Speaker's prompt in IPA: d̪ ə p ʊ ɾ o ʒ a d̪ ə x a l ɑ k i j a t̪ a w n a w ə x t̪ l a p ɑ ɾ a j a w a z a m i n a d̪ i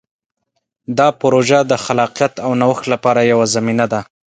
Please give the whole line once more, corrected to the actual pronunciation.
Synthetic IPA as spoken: d̪ ɑ p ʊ ɾ o ʒ a d̪ ə x a l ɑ q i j a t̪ a w n a w ə x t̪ l a p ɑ ɾ a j a w a z a m i n a d̪ a